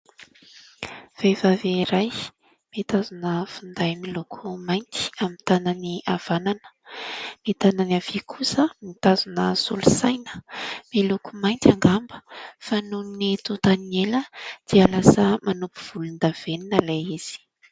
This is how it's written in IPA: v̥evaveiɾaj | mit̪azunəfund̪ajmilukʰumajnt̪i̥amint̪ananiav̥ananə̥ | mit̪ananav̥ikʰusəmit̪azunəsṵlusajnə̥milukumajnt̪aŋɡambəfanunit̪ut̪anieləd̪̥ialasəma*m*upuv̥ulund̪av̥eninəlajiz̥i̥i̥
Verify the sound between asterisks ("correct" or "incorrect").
incorrect